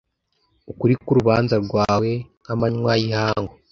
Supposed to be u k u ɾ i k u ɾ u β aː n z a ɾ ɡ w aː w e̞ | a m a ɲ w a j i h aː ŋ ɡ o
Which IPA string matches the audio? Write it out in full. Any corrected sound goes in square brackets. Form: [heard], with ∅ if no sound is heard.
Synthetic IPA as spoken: u k u ɾ i k u ɾ u β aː n z a ɾ ɡ w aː w e̞ | a m a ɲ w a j i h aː ŋ ɡ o